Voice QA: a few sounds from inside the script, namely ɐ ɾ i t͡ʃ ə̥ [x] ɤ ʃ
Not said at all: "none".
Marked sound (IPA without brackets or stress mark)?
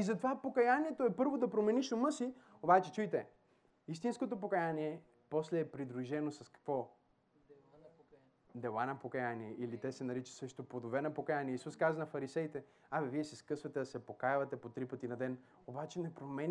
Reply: s